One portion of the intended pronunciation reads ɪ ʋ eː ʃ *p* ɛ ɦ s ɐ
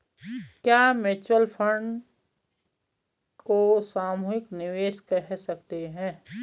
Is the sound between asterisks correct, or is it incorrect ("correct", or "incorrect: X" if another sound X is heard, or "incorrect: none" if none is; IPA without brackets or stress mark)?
incorrect: k